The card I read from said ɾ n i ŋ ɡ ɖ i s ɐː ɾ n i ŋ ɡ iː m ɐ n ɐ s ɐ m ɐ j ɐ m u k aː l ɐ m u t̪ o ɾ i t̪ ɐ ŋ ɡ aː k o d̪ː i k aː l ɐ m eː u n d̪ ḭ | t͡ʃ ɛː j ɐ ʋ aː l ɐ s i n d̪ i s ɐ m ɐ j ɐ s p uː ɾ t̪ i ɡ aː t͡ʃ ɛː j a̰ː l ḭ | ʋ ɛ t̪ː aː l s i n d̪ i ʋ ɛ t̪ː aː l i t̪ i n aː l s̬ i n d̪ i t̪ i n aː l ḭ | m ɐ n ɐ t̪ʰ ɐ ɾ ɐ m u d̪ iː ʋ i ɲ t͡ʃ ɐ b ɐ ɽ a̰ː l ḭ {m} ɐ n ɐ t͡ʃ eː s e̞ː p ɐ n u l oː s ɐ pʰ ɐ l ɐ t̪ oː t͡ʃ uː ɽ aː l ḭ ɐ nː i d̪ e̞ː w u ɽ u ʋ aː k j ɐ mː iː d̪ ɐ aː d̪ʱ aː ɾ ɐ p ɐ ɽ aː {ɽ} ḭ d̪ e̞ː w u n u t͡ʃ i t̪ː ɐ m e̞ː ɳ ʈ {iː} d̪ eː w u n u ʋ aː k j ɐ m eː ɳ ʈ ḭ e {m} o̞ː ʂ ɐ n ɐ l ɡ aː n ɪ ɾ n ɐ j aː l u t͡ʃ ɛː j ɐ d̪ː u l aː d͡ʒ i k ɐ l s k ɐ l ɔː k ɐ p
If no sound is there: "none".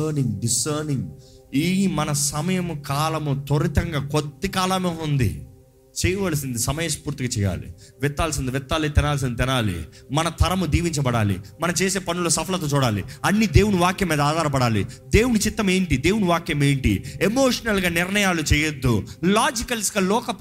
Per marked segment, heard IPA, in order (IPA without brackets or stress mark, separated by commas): m, l, i, m